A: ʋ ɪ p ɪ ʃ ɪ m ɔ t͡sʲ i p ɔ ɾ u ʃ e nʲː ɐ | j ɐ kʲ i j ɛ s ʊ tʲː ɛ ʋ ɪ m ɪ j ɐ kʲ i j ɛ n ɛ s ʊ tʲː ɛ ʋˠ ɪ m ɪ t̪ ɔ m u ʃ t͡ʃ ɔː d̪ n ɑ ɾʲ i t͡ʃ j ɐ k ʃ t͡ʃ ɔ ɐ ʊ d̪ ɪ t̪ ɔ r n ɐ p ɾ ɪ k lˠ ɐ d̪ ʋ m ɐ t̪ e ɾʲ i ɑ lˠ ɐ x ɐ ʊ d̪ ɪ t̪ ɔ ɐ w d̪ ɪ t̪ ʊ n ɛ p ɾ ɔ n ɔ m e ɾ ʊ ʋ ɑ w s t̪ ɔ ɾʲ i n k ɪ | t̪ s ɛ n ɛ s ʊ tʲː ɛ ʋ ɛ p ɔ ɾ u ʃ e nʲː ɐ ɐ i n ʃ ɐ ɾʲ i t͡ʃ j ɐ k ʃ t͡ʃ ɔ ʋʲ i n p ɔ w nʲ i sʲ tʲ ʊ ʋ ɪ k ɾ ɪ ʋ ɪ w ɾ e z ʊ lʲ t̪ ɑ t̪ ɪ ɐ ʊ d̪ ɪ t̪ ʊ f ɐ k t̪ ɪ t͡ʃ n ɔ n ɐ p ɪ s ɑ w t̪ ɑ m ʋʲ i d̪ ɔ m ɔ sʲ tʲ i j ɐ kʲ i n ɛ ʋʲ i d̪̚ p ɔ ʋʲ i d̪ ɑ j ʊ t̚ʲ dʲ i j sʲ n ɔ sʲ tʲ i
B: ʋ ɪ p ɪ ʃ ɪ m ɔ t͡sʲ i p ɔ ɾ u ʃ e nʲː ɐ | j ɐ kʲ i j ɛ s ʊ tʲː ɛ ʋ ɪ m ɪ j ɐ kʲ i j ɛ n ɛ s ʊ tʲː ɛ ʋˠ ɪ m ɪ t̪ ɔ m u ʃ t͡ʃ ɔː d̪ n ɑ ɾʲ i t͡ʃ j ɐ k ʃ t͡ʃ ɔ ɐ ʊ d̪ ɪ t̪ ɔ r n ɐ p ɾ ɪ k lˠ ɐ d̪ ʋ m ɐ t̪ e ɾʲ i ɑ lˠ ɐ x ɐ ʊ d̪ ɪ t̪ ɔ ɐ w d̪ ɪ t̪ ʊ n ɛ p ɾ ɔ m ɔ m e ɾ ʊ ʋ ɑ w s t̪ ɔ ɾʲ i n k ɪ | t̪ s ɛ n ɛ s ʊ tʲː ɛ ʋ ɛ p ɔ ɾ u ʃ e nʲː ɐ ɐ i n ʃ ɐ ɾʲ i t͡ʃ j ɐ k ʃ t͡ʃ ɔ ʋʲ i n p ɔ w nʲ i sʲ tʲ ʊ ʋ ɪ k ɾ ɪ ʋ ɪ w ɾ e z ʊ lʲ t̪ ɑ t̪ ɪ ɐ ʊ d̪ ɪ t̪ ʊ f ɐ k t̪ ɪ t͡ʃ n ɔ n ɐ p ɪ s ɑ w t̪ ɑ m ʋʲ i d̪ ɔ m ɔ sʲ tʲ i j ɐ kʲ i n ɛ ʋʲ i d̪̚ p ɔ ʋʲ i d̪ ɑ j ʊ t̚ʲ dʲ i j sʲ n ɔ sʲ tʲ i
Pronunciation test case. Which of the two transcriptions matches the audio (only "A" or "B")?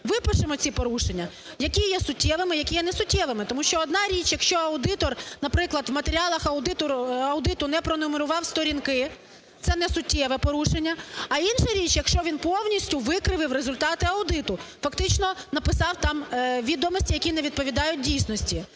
A